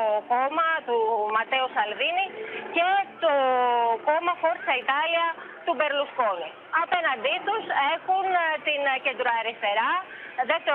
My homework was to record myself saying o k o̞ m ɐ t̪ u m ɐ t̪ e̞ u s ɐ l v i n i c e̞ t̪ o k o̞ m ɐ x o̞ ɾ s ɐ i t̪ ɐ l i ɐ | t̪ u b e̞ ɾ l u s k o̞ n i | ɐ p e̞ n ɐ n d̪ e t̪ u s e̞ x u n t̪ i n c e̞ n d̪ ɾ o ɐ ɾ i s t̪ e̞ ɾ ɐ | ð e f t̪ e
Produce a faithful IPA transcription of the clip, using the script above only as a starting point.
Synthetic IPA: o k o̞ m ɐ t̪ u m ɐ t̪ e̞ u s ɐ l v i n i c e̞ t̪ o k o̞ m ɐ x o̞ ɾ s ɐ i t̪ ɐ l i ɐ | t̪ u b e̞ ɾ l u s k o̞ n i | ɐ p e̞ n ɐ n d̪ i t̪ u s e̞ x u n t̪ i n c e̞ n d̪ ɾ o ɐ ɾ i s t̪ e̞ ɾ ɐ | ð e f t̪ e